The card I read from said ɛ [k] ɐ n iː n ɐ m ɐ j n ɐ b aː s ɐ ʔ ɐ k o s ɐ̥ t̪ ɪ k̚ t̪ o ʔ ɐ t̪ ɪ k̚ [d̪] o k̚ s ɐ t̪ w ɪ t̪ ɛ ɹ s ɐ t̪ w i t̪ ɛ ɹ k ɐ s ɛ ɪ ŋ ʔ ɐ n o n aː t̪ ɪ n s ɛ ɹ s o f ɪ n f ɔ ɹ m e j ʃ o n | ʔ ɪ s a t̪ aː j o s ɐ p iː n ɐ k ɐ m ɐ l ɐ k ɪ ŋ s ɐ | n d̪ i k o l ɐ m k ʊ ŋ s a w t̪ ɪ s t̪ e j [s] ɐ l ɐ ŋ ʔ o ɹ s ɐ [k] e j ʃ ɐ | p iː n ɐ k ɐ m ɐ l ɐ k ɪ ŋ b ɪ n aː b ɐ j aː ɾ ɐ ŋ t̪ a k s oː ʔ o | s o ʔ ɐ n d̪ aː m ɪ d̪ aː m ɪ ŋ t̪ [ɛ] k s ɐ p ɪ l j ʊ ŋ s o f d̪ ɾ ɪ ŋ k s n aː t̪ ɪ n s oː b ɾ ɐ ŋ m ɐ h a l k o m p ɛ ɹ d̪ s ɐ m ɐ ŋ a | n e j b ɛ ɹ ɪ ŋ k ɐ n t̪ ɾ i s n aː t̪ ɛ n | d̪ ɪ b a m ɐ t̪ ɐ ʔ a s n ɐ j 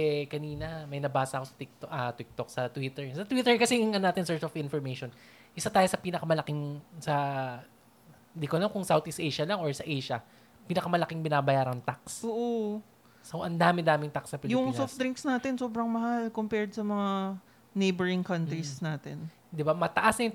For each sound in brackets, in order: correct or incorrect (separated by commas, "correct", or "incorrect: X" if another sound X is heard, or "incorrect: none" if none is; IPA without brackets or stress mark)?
correct, incorrect: t̪, incorrect: ʃ, incorrect: ʔ, incorrect: a